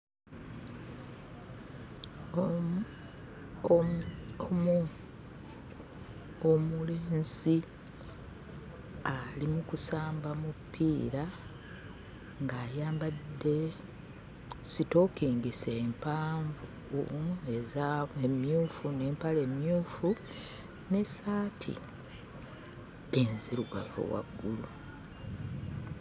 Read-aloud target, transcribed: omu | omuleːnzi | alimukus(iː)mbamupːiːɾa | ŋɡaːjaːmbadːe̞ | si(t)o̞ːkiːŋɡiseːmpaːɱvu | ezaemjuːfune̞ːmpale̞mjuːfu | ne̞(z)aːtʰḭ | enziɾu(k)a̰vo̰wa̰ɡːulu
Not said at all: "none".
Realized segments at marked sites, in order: aː, t, s, ɡ

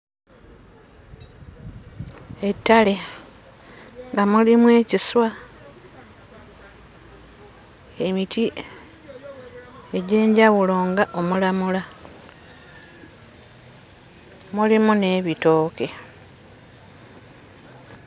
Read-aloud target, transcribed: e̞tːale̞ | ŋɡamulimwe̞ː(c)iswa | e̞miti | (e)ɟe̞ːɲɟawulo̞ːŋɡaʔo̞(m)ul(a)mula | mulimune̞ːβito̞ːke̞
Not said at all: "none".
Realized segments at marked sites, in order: c, e, m, a

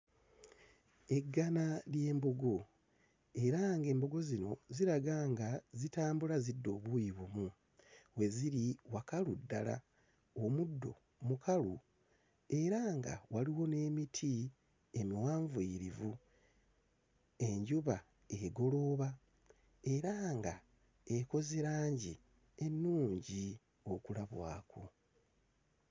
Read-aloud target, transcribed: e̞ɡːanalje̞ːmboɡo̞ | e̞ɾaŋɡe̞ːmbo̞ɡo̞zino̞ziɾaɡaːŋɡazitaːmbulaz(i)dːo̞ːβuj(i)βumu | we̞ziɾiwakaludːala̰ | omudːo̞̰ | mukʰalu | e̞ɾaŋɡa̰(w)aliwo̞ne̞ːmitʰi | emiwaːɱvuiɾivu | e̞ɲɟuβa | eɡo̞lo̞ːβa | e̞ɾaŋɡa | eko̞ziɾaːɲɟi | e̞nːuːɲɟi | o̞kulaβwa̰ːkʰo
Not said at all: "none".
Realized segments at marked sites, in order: i, i, w

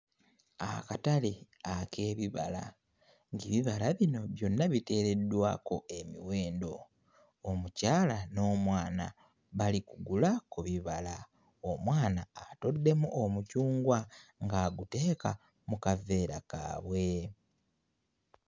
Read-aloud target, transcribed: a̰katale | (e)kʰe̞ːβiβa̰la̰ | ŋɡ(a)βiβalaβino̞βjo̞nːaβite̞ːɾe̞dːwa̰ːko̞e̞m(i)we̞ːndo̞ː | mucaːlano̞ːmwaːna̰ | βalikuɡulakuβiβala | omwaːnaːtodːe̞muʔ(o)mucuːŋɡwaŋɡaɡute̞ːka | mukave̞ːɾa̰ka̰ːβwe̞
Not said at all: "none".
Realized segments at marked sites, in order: a, i, i, o

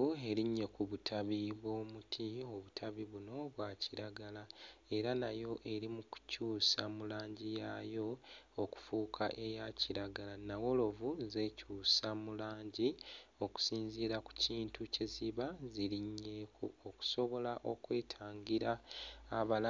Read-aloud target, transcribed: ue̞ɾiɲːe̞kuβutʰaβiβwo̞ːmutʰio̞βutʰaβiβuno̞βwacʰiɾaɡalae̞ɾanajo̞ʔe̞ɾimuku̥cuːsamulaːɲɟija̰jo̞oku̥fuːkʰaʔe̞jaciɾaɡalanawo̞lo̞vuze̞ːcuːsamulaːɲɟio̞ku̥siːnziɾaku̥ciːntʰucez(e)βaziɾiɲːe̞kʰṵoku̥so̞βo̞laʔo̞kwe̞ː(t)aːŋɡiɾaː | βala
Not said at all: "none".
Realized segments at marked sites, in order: i, tʰ

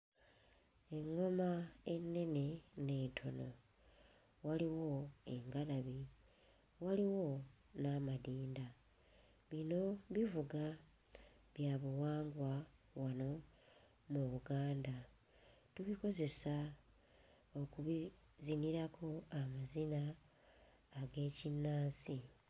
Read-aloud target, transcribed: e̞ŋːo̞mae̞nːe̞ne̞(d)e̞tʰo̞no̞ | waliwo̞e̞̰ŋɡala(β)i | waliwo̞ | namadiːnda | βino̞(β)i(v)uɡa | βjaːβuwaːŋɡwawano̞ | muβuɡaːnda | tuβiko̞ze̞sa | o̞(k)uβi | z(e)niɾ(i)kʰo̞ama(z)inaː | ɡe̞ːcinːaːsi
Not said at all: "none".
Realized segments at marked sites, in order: n, β, β, v, k, i, a, z

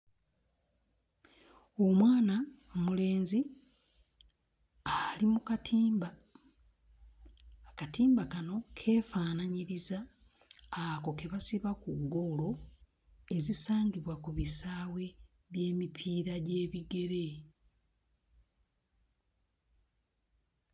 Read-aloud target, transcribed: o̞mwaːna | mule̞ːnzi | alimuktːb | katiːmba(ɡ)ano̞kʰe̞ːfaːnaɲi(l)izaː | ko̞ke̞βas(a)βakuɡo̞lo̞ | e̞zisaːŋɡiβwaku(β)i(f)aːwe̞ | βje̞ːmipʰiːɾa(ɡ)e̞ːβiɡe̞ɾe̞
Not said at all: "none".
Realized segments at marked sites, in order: k, ɾ, i, β, s, ɟ

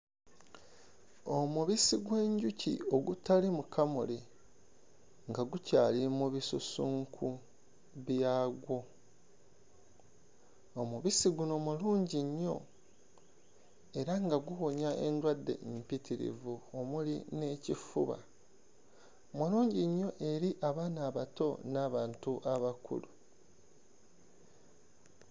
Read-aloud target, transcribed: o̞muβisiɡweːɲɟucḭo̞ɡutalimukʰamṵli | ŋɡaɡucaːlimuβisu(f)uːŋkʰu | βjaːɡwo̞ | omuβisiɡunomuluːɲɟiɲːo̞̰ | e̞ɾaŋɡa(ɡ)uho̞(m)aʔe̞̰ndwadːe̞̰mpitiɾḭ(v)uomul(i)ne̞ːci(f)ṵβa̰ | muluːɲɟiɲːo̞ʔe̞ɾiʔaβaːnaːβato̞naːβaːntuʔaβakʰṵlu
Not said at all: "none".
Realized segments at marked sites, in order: s, ɡ, ɲ, v, i, f

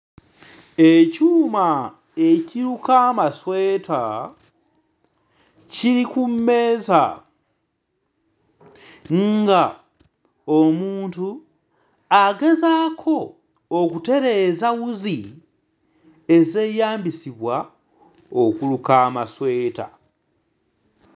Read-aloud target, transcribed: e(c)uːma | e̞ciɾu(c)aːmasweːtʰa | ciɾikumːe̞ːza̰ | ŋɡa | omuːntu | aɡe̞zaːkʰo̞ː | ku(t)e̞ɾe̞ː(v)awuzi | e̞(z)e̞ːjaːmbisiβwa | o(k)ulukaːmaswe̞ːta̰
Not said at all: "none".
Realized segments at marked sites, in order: c, k, t, z, z, k

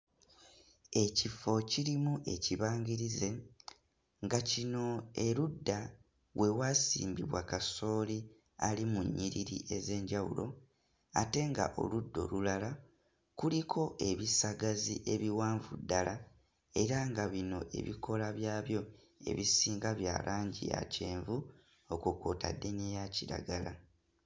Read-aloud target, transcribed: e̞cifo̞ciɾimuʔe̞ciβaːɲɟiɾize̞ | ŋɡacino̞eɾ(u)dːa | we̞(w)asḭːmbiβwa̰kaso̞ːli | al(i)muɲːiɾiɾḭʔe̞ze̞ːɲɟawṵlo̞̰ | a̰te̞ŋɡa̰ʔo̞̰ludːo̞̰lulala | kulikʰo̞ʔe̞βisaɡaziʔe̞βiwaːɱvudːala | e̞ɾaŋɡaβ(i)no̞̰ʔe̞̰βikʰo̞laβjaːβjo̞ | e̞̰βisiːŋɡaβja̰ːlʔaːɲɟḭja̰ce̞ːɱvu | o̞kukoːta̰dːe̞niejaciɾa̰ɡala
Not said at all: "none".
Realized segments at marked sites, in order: u, w, i, i

